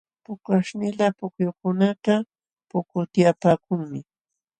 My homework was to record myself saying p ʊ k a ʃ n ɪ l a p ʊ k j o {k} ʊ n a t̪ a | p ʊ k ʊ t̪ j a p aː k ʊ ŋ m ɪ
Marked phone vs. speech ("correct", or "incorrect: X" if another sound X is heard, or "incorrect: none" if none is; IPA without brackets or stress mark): correct